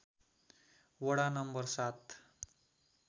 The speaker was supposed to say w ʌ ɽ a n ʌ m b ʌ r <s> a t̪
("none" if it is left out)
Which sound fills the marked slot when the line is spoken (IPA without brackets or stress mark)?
s